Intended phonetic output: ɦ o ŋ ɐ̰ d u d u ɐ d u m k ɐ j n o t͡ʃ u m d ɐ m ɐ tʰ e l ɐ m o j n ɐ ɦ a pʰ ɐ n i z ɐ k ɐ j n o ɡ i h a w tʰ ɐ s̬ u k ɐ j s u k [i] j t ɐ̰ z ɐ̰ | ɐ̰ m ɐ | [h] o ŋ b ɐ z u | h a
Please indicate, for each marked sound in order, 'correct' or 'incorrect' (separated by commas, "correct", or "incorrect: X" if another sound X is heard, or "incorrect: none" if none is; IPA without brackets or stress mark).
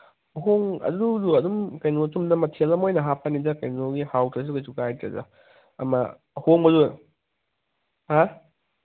incorrect: a, correct